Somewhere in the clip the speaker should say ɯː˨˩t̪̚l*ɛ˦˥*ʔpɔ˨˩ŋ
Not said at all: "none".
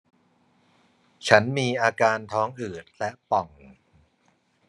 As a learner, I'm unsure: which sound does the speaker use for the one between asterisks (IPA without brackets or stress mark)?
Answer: ɛ˦˥